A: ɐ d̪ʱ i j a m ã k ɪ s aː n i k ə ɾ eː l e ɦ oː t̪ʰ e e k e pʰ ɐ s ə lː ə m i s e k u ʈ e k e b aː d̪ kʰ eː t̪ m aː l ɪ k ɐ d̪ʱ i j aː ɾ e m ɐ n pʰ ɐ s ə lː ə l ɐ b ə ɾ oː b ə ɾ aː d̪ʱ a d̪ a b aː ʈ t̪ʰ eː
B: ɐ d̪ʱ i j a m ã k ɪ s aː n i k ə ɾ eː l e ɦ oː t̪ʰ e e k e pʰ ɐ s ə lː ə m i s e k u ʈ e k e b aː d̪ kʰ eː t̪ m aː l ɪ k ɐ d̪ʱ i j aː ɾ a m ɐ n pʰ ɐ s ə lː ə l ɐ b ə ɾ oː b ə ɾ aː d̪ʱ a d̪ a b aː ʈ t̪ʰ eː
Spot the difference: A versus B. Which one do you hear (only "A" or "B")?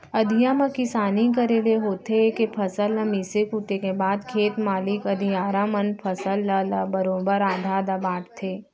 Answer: B